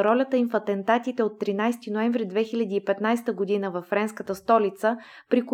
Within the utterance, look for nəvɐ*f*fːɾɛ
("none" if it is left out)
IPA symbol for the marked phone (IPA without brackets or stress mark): f